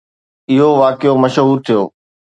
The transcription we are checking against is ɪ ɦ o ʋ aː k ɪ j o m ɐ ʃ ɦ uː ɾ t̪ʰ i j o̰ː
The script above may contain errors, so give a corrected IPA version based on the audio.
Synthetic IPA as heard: ɪ ɦ o ʋ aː k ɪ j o m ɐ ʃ ɦ uː ɾ t̪ʰ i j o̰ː